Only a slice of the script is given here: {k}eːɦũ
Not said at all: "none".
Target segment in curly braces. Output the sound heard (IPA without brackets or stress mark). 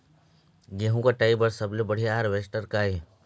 ɡ